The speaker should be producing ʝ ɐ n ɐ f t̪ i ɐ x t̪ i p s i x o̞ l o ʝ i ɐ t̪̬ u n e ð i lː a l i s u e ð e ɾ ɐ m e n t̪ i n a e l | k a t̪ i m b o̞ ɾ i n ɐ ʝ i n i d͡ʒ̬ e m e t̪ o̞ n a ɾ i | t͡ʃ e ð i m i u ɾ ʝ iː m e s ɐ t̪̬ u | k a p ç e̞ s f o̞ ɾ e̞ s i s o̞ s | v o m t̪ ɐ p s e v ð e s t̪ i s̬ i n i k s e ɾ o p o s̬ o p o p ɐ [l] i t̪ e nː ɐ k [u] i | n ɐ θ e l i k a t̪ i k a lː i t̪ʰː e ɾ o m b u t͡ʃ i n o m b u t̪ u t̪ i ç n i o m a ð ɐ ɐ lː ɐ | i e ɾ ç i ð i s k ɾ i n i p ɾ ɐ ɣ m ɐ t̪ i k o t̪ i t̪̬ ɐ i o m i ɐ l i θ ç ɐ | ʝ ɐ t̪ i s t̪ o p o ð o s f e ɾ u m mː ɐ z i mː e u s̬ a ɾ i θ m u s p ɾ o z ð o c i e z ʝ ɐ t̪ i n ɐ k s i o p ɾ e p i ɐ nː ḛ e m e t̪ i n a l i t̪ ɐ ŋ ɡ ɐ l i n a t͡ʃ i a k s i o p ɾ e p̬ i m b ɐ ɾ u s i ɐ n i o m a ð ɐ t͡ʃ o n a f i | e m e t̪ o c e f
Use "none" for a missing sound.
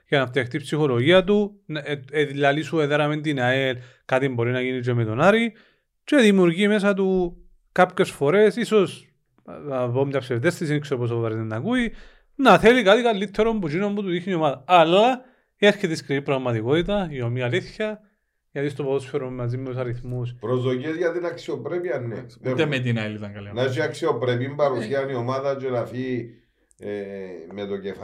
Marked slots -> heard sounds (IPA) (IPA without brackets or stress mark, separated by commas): ɾ, u